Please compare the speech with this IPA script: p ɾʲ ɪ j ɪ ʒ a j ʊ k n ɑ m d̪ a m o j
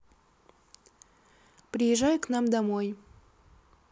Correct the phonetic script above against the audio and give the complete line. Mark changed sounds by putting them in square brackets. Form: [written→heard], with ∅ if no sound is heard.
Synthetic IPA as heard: p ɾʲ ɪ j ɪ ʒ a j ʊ k n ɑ m d̪ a m o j